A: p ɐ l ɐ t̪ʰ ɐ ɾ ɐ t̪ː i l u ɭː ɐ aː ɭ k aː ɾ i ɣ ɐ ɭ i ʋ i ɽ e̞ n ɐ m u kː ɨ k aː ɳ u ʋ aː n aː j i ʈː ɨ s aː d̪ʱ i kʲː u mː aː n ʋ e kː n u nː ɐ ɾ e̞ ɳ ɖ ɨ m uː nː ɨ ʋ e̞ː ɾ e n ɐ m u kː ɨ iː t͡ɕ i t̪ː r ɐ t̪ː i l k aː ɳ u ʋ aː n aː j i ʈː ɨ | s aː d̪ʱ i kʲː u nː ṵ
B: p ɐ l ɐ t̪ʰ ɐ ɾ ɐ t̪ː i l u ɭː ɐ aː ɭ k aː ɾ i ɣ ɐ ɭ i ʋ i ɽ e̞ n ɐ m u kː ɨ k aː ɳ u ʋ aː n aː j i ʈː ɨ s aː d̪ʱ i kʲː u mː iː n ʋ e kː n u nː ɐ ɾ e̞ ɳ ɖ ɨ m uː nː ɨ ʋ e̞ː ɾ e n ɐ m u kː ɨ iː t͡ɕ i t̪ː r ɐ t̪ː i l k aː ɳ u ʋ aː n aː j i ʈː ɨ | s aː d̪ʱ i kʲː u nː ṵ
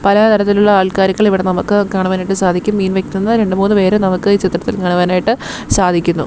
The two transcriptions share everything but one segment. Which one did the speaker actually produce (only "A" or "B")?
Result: B